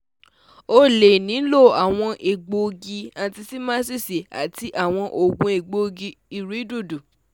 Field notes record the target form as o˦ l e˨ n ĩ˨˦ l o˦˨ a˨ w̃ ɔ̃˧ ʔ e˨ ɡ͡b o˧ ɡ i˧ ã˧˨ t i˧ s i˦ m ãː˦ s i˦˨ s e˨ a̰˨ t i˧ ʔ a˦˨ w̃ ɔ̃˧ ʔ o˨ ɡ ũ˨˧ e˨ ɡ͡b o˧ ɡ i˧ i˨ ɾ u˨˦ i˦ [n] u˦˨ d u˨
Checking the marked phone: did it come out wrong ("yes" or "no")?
yes